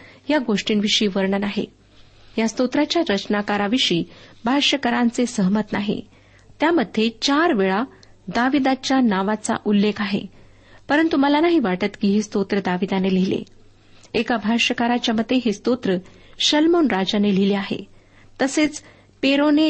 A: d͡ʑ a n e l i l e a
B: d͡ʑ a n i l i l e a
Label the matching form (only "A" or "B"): A